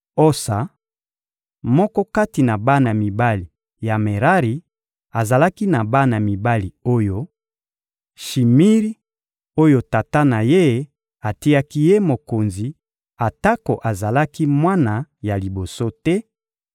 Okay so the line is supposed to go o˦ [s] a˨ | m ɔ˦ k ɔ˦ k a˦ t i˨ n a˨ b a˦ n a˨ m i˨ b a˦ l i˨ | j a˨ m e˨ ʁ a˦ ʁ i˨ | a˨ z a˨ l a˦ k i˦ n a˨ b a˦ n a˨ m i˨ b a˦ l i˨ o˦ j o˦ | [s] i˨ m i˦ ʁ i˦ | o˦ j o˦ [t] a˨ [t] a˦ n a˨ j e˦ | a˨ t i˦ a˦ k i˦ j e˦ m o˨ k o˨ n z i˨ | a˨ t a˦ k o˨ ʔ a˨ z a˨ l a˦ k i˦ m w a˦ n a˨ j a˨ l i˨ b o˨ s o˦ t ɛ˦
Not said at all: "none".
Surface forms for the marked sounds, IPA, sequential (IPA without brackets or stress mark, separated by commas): s, ʃ, t, t